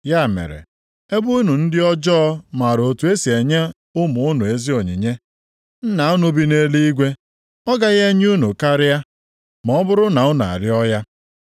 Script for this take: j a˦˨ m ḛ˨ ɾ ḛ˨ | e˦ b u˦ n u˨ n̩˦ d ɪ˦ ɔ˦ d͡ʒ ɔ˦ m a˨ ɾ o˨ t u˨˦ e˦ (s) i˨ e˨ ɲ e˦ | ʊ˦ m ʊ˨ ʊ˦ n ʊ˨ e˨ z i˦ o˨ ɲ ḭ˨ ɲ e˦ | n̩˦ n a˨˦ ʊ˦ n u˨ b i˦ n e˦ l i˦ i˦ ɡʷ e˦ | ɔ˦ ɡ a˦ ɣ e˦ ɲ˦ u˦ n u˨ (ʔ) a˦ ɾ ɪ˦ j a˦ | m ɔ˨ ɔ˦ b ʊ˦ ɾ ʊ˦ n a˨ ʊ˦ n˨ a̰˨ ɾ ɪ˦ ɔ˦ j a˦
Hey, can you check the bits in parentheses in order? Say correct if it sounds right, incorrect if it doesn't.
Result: correct, incorrect: k

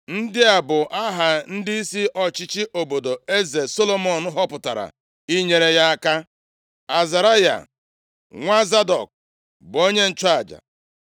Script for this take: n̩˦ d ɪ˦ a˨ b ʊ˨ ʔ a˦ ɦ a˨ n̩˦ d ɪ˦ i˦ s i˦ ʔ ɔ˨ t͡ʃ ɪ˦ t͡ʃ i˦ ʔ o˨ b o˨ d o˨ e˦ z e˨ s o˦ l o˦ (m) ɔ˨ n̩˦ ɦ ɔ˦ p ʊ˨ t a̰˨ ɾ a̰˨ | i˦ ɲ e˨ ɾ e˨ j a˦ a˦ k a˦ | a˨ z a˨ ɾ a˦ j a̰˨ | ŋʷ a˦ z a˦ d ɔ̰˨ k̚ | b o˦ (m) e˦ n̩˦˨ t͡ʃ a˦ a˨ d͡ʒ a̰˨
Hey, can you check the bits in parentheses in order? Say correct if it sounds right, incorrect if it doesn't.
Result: correct, incorrect: ɲ

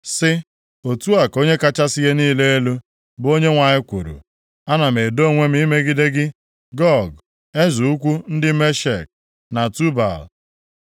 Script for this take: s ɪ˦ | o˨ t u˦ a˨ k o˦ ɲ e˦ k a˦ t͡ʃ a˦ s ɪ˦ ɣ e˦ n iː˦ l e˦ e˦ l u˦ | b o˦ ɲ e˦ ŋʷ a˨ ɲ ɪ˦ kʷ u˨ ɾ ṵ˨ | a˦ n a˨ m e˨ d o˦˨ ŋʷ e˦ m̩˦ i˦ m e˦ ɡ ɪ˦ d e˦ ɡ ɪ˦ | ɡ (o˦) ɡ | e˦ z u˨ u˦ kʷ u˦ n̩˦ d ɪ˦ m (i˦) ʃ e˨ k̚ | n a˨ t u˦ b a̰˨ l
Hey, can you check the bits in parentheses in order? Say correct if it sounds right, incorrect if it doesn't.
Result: incorrect: ɔ˦, incorrect: e˦

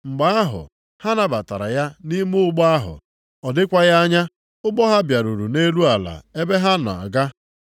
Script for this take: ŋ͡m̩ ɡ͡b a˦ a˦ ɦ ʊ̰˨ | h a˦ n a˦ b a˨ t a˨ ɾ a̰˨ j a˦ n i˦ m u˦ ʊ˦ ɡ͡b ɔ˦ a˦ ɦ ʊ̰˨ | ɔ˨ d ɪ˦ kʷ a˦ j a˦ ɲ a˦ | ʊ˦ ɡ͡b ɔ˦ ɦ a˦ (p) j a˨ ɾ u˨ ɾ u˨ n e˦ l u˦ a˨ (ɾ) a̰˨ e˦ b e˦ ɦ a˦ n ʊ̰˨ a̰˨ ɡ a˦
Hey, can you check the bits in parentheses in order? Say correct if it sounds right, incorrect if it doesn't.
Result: incorrect: b, incorrect: l

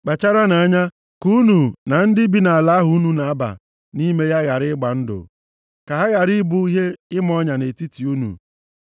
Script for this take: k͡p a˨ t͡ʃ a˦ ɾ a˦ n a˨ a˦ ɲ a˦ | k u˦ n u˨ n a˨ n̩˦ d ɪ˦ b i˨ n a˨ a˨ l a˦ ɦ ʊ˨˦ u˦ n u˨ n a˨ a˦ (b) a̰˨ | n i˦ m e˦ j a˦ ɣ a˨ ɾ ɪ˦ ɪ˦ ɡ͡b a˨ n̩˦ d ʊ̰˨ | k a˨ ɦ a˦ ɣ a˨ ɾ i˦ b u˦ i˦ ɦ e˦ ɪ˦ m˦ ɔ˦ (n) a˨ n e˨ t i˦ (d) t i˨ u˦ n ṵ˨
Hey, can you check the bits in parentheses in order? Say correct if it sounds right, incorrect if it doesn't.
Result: correct, incorrect: ɲ, incorrect: none

